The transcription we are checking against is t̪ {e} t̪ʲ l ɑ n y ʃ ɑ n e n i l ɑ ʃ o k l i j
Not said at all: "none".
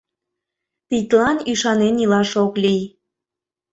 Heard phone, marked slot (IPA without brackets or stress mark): i